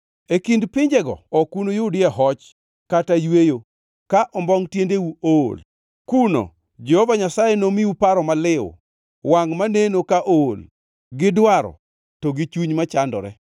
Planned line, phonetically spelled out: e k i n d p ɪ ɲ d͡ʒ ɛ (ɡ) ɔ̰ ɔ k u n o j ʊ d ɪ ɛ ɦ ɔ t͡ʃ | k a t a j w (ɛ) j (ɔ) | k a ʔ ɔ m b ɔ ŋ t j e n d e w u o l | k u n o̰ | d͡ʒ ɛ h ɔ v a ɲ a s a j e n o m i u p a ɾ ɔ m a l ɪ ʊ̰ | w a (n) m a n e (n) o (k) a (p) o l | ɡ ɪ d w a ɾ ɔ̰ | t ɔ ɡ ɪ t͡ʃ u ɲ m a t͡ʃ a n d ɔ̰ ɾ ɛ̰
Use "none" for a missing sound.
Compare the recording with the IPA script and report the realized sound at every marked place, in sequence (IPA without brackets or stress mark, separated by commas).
ɡ, e, o, ŋ, n, k, ʔ